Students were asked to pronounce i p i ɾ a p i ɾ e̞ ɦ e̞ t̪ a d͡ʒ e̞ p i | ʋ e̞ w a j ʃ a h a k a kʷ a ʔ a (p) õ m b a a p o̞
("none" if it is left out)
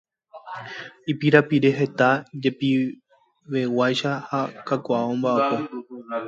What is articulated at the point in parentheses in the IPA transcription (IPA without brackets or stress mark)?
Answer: none